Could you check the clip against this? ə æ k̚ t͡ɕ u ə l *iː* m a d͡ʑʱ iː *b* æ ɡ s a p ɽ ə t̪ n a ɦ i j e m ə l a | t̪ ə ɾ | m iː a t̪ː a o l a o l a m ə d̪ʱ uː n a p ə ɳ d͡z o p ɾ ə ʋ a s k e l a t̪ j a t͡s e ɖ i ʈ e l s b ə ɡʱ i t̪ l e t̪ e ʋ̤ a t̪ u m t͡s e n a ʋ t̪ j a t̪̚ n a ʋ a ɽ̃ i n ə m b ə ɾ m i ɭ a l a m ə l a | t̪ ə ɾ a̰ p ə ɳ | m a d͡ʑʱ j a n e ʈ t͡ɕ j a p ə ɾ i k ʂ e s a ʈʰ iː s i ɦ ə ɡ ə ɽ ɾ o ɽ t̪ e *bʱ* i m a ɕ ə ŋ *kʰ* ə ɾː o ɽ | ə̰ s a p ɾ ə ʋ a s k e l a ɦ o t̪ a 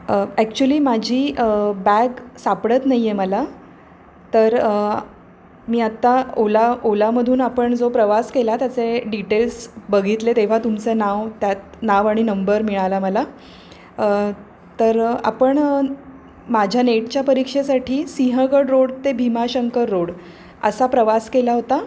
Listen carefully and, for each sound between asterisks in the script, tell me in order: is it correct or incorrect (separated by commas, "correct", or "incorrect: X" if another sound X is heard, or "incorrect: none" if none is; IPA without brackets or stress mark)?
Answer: correct, correct, correct, incorrect: k